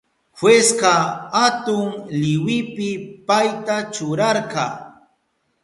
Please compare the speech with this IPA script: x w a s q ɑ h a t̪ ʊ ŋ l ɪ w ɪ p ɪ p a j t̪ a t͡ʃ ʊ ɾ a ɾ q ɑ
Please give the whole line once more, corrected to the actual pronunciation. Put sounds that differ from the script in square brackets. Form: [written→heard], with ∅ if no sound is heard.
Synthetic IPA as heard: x w [a→e] s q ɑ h a t̪ ʊ ŋ l ɪ w ɪ p ɪ p a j t̪ a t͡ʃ ʊ ɾ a ɾ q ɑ